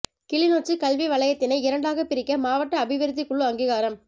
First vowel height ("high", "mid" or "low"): high